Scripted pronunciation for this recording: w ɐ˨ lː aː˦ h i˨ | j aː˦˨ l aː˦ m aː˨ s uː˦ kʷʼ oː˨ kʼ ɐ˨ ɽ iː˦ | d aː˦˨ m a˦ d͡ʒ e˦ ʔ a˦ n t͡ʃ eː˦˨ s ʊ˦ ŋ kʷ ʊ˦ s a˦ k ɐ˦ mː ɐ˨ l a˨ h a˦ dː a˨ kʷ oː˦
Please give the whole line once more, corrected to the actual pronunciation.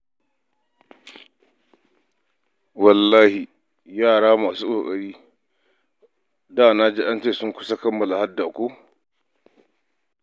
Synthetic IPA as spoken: w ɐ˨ lː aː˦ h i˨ | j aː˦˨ ɽ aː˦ m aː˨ s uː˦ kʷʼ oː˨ kʼ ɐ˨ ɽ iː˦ | d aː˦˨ n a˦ d͡ʒ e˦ ʔ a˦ n t͡ʃ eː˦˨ s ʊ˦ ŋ kʷ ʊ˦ s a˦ k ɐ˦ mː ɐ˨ l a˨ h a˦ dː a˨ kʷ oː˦